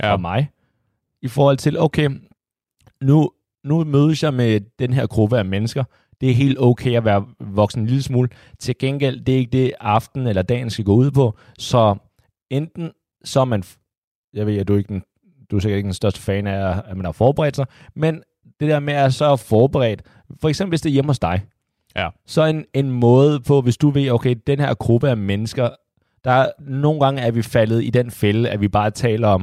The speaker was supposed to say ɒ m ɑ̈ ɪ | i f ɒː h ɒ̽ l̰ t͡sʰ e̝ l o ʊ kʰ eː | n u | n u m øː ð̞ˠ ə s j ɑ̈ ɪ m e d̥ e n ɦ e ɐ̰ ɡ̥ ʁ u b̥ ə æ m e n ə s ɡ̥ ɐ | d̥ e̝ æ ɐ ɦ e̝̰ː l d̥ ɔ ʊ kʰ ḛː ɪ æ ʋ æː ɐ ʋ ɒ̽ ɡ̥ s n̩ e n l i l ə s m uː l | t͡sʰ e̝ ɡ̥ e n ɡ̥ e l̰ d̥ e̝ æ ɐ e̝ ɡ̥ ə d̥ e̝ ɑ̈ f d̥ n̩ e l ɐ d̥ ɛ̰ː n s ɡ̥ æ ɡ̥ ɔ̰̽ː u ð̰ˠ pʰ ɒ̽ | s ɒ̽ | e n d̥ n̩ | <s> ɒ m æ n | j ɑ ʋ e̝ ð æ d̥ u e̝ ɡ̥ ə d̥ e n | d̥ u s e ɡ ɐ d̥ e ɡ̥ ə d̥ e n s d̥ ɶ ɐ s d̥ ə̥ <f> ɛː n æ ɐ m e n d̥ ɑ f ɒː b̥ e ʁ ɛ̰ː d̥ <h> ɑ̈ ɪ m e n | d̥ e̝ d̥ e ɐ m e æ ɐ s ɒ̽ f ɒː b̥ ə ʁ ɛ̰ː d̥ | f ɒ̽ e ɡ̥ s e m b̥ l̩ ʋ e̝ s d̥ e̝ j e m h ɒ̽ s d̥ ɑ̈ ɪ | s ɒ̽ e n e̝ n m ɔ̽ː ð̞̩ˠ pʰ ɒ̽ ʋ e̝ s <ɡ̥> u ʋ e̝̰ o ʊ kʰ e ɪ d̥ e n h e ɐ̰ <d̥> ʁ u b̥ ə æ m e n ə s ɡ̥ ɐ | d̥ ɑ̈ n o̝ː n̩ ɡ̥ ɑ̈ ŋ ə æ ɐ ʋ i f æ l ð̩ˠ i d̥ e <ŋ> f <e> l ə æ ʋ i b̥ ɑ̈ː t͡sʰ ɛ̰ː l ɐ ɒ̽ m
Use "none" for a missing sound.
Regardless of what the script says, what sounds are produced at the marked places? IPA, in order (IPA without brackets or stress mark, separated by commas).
s, f, s, d̥, ɡ̥, n, e